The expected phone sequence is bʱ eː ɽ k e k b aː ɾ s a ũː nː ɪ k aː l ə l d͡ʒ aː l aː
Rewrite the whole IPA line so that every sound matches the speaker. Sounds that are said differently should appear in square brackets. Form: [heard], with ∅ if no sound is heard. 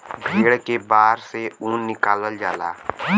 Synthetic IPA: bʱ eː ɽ k e [∅] b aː ɾ s [e] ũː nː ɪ k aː l ə l d͡ʒ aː l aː